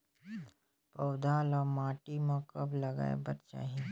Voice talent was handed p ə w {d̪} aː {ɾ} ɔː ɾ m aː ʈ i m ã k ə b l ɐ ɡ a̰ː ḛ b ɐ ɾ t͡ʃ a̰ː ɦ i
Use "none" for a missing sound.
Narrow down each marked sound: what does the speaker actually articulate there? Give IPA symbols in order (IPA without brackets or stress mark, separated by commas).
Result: d̪, l